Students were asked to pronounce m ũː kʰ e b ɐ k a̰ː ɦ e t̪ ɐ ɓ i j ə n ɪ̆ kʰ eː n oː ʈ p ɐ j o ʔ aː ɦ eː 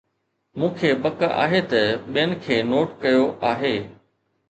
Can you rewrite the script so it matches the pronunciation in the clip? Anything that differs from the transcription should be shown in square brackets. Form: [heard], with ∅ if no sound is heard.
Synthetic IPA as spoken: m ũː kʰ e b ɐ k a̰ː ɦ e t̪ ɐ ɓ i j ə n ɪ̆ kʰ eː n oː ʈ [k] ɐ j o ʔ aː ɦ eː